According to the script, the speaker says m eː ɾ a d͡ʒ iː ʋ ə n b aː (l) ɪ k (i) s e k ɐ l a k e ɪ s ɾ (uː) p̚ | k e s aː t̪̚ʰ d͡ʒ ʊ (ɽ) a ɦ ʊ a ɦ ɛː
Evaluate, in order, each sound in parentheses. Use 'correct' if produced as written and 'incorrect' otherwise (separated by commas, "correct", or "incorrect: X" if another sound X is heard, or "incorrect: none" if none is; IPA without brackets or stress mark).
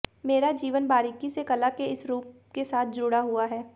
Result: incorrect: ɾ, correct, correct, correct